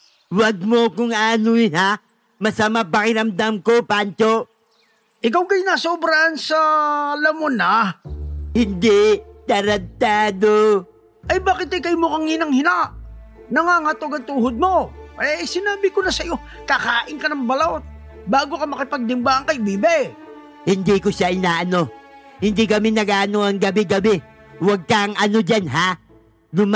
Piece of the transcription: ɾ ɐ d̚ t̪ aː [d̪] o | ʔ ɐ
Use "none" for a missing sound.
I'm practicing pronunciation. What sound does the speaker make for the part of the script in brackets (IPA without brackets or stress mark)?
d̪